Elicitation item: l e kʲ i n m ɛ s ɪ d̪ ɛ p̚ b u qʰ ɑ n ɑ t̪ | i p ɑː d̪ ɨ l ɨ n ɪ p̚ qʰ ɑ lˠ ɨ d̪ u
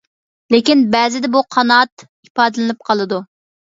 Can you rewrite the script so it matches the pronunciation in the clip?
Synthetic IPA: l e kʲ i n b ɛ z ɪ d̪ ɛ b u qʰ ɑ n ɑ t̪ | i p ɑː d̪ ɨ l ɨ n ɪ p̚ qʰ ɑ lˠ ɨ d̪ u